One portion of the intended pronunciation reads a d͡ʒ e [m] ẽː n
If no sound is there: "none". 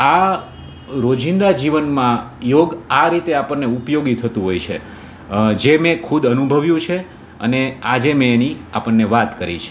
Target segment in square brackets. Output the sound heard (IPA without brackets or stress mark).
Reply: m